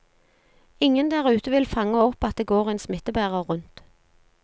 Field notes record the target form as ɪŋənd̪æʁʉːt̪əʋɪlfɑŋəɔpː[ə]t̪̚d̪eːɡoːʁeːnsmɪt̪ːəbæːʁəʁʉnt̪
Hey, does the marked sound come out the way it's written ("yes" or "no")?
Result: no